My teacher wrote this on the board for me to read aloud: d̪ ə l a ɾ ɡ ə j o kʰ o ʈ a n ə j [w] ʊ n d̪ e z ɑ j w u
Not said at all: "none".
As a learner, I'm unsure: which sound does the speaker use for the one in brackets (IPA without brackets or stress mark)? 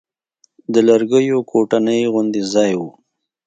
ɣ